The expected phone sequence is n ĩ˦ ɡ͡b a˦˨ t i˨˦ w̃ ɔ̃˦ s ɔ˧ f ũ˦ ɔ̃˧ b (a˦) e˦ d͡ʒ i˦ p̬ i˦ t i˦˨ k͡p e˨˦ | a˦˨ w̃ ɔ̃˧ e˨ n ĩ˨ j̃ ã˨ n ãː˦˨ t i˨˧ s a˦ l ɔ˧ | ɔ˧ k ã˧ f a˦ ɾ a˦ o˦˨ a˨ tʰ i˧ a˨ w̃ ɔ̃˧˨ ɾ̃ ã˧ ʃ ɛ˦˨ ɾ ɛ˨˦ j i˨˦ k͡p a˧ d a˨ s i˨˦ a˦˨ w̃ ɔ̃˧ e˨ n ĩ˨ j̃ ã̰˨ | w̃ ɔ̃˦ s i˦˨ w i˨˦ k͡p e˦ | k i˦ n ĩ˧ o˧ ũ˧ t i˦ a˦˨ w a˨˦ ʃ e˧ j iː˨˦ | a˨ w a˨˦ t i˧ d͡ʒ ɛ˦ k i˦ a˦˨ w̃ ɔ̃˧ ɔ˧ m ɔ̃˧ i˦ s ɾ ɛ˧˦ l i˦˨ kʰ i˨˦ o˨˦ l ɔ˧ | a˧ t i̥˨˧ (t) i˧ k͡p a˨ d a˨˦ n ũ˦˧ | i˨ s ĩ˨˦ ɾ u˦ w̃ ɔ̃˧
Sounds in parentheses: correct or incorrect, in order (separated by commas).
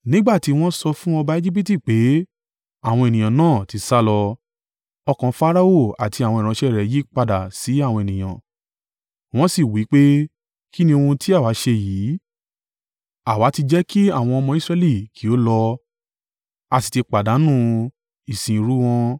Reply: correct, correct